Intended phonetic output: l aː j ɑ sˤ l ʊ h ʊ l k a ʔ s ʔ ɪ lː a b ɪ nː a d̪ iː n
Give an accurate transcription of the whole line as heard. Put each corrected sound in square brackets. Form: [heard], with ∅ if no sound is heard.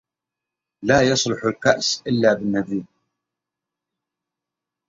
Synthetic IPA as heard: l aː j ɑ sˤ l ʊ [ħ] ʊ l k a ʔ s ʔ ɪ lː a b ɪ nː a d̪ iː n